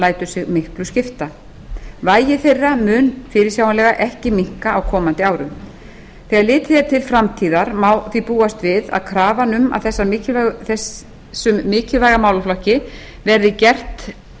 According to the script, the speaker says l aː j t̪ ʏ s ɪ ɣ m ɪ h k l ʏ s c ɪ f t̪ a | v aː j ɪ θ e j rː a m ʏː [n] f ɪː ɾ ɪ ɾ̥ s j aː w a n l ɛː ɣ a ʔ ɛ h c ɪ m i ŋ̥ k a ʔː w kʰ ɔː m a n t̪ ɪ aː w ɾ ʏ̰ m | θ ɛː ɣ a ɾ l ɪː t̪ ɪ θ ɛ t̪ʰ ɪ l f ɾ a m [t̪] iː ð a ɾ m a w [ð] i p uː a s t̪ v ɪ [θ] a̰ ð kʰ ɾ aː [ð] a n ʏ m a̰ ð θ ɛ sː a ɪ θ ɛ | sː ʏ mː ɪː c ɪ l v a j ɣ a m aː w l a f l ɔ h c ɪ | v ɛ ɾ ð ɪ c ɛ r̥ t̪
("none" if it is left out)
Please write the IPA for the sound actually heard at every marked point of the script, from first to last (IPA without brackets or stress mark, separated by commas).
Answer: n, t̪ʰ, θ, ð, v